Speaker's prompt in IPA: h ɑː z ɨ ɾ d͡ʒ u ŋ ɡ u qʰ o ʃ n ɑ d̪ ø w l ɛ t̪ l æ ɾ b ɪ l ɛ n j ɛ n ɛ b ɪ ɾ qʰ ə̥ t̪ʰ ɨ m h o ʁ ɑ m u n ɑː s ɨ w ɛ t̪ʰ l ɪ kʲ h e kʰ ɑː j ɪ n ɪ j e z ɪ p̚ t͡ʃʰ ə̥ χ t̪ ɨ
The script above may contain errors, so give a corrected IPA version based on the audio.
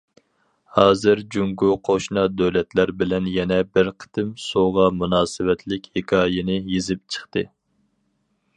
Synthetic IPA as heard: h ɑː z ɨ ɾ d͡ʒ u ŋ ɡ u qʰ o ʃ n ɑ d̪ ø w l ɛ t̪ l æ ɾ b ɪ l ɛ n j ɛ n ɛ b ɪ ɾ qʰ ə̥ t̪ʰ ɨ m s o ʁ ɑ m u n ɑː s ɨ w ɛ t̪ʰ l ɪ kʲ h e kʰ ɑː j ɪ n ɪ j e z ɪ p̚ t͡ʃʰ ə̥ χ t̪ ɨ